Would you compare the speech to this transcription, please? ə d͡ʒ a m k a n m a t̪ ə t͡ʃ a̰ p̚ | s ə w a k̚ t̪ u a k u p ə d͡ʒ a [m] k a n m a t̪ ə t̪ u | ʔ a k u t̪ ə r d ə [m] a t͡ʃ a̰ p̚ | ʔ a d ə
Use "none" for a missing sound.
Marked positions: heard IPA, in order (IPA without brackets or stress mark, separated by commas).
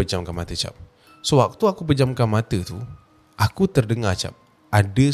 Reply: m, ŋ